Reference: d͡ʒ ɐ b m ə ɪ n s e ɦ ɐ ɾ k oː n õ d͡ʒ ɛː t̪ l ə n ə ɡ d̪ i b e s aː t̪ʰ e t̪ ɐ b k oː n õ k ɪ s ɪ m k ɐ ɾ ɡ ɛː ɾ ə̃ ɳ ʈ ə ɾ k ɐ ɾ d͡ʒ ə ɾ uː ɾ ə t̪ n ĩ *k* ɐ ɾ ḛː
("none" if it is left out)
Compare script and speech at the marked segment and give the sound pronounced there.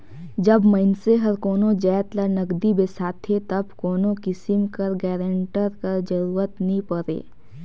p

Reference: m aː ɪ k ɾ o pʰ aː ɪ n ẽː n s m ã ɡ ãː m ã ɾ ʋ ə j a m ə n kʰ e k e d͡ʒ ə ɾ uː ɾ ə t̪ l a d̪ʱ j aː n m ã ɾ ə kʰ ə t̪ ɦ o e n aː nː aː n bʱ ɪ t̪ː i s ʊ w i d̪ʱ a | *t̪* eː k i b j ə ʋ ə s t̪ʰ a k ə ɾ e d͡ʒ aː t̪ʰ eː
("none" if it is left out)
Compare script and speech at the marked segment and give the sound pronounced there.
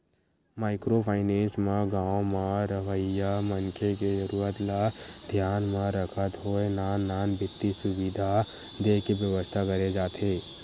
d̪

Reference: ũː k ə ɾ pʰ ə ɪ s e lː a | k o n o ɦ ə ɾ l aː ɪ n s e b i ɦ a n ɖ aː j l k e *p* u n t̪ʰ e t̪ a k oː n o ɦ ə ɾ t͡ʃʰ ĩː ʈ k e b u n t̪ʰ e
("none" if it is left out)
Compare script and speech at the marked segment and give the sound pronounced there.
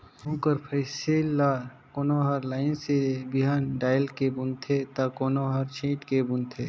b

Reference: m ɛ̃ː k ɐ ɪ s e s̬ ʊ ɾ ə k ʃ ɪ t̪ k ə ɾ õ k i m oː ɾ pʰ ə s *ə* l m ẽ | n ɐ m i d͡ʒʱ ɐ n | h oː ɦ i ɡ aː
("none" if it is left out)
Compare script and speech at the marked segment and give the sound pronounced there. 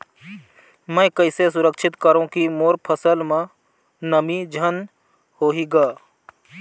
ə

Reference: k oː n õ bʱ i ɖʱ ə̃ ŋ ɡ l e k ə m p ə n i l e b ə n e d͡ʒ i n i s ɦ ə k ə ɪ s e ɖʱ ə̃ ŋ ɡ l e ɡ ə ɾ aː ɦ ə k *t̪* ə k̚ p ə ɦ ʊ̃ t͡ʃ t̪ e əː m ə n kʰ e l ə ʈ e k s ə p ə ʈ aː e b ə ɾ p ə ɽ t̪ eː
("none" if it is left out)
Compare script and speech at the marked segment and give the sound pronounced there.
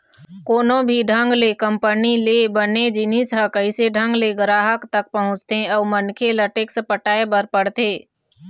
t̪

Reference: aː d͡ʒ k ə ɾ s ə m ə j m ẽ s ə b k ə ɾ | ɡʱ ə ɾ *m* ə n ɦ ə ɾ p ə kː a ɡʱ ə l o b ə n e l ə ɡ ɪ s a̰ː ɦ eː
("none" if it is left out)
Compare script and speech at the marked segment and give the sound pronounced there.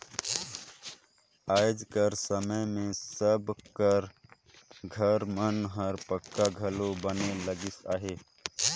m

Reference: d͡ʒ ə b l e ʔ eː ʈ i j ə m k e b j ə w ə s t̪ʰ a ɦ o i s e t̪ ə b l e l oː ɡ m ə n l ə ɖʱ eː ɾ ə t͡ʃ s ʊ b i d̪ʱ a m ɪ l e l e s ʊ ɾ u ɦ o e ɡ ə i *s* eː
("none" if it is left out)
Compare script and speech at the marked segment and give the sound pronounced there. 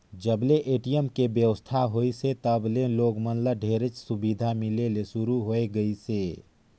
s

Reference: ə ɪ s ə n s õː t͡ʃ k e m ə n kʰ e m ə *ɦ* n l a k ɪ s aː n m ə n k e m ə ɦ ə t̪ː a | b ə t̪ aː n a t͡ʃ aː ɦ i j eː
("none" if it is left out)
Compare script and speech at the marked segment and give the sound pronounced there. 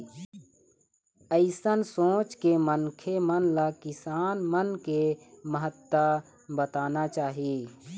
none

